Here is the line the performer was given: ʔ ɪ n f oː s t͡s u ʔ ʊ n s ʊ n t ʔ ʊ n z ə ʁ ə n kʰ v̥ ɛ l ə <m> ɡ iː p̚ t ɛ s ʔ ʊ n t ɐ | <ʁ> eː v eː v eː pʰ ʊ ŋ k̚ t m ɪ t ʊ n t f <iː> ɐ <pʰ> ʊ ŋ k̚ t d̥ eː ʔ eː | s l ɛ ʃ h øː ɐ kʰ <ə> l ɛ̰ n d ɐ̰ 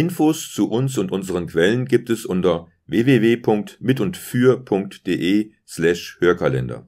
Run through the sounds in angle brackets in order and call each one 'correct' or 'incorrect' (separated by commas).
incorrect, incorrect, incorrect, correct, incorrect